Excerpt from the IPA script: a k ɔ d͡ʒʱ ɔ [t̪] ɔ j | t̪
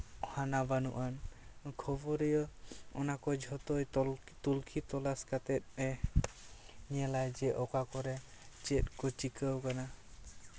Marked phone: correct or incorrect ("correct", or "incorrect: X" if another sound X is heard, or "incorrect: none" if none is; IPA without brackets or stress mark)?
correct